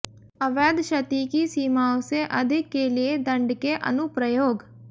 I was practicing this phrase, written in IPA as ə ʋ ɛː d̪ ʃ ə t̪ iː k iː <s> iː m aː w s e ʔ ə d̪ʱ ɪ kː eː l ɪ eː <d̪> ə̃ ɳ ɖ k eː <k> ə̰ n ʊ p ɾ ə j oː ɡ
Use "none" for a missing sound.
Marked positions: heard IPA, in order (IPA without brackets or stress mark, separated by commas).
s, d̪, ʔ